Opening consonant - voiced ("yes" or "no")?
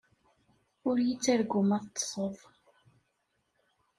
yes